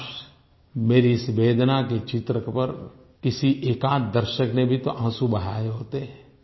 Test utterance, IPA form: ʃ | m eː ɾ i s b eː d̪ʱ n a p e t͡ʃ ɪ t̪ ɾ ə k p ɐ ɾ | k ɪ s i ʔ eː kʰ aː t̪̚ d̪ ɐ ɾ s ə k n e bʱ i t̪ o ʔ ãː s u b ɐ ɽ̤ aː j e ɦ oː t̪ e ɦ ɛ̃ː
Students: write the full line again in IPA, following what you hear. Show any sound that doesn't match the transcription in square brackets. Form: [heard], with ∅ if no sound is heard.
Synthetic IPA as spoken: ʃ | m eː ɾ i s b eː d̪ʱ n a [k] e t͡ʃ ɪ t̪ ɾ ə k p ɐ ɾ | k ɪ s i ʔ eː [k] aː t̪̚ d̪ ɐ ɾ [ʃ] ə k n e bʱ i t̪ o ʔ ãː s u b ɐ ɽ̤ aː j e ɦ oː t̪ e ɦ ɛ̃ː